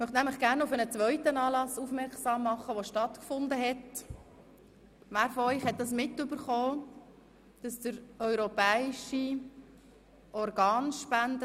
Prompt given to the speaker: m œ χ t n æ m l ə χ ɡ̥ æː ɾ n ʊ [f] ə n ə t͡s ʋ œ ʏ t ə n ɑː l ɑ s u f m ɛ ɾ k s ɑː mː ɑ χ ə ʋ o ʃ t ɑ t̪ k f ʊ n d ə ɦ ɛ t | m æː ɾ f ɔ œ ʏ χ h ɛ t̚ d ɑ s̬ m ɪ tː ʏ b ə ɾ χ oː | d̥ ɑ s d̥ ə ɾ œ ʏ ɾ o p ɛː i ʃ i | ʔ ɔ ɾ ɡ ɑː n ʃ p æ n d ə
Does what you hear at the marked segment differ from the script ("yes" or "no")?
no